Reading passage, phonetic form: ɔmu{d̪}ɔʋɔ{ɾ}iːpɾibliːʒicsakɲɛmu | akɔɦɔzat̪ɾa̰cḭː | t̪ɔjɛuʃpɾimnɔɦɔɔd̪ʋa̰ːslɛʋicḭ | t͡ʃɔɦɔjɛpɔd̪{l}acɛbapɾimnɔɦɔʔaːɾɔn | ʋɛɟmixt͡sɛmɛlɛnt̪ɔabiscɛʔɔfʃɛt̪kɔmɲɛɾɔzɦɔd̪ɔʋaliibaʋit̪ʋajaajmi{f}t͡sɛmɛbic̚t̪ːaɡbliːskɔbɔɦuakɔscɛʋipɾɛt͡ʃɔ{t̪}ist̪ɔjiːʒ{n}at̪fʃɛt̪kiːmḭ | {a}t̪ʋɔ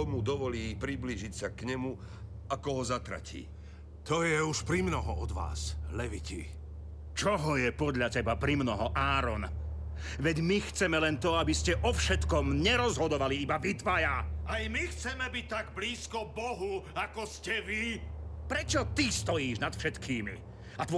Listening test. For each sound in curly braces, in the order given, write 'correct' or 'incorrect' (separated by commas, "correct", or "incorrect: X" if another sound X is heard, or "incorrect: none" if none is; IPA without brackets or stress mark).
correct, incorrect: l, incorrect: ʎ, incorrect: x, correct, correct, correct